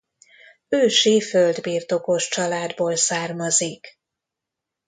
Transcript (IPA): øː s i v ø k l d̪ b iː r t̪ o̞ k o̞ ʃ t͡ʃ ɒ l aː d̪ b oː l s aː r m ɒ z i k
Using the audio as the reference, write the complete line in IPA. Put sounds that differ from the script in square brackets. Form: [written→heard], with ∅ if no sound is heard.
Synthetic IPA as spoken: øː [s→ʃ] i [v→f] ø [k→∅] l d̪ b iː r t̪ o̞ k o̞ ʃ t͡ʃ ɒ l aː d̪ b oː l s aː r m ɒ z i k